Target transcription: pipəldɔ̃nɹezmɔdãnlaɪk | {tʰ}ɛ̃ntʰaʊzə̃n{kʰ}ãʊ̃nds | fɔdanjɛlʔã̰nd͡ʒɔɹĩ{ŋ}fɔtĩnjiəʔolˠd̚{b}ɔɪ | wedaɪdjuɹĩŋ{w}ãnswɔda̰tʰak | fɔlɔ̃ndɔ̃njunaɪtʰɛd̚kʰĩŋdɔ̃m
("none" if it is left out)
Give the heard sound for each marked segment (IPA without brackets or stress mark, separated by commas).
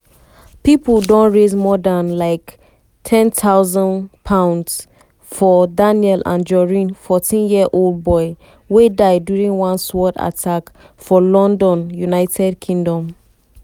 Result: tʰ, pʰ, n, b, w